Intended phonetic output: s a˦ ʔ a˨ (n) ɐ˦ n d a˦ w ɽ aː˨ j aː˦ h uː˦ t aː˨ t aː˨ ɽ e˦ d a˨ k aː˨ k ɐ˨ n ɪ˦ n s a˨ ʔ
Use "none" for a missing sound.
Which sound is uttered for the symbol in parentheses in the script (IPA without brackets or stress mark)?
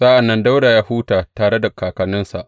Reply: nː